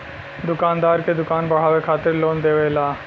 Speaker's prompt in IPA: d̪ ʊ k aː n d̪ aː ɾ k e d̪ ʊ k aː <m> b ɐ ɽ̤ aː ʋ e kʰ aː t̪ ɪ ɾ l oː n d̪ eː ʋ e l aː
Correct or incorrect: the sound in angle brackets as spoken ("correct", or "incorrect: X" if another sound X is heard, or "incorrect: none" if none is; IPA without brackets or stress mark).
incorrect: n